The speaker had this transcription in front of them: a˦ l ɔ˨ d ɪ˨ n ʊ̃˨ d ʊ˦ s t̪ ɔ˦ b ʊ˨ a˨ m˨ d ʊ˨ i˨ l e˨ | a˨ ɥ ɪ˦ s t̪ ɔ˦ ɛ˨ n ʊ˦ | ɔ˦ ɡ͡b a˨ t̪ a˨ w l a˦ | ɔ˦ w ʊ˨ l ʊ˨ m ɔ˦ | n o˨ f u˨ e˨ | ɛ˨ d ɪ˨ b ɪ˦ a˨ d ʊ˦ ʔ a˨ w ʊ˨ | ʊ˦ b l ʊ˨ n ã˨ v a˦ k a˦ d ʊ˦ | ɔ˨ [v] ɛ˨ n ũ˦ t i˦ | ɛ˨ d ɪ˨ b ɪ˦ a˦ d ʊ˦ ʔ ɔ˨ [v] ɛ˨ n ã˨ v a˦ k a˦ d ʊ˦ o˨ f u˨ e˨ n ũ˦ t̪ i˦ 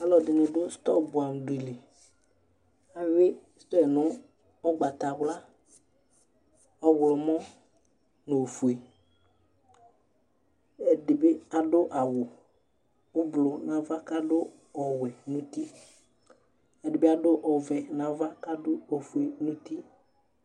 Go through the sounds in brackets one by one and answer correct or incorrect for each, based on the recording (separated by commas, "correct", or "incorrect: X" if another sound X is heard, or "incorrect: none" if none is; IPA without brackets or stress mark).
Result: incorrect: w, correct